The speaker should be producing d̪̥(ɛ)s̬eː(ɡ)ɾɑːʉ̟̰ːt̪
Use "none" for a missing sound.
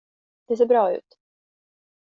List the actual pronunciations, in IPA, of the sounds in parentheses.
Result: ɛ, b

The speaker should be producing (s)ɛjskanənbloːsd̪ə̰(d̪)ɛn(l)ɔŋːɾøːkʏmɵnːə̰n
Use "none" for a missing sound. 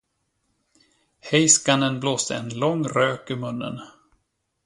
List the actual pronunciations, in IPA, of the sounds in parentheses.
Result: h, none, l

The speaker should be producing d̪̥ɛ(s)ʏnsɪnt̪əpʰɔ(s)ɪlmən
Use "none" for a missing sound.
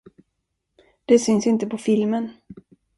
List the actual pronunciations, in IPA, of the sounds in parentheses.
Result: s, f

